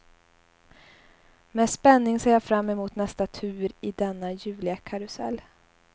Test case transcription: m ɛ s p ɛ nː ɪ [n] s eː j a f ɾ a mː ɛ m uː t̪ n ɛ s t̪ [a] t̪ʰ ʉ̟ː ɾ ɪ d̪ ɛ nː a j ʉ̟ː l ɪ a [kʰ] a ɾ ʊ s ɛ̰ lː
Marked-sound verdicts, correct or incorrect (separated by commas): incorrect, correct, correct